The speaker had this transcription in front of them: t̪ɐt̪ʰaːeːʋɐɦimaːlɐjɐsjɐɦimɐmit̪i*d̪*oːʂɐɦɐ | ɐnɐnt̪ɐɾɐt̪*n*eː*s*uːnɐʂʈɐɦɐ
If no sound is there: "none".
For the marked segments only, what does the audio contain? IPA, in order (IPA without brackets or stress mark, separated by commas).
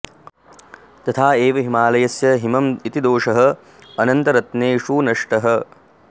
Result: d̪, n, ʂ